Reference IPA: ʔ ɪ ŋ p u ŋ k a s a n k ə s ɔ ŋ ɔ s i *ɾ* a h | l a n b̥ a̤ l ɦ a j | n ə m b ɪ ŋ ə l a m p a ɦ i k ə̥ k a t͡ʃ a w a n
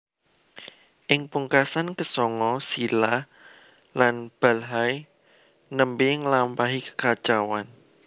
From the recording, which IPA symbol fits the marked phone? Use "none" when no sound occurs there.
l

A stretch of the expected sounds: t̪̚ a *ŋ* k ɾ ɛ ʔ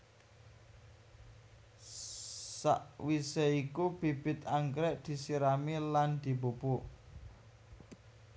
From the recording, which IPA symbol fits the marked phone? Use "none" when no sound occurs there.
ŋ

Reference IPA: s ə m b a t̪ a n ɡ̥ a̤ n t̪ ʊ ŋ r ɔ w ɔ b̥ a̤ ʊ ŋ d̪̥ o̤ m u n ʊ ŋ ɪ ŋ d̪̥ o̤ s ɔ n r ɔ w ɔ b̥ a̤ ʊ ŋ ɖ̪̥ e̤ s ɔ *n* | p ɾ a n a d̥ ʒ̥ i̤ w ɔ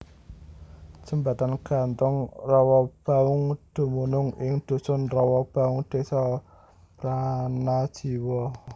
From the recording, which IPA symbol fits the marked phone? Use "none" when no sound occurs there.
none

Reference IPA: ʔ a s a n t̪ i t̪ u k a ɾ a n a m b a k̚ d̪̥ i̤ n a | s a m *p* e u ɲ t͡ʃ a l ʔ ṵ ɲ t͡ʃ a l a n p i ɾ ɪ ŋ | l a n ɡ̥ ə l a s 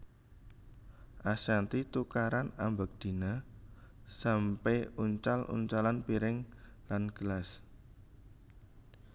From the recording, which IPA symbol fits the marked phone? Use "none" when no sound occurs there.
p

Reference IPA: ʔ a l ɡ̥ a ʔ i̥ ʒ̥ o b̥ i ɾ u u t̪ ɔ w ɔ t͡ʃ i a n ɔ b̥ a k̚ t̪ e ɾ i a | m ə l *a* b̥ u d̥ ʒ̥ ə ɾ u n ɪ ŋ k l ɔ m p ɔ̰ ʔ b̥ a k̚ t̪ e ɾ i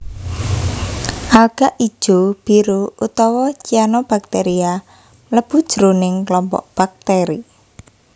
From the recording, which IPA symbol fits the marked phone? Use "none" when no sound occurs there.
ə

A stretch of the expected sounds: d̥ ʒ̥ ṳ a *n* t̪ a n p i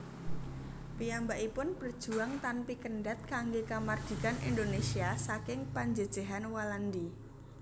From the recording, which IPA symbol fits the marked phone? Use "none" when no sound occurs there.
ŋ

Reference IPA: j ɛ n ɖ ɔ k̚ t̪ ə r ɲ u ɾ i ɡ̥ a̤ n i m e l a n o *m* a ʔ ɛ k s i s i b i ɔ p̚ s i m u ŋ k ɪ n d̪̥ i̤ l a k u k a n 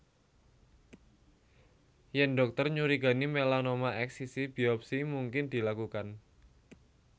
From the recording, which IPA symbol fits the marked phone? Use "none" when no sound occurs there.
m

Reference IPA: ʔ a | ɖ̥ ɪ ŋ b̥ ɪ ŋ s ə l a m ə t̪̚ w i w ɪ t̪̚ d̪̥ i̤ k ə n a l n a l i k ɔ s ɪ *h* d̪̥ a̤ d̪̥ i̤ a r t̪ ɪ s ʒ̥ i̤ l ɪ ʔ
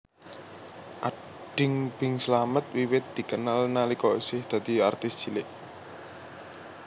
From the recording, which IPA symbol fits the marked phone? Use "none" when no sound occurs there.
h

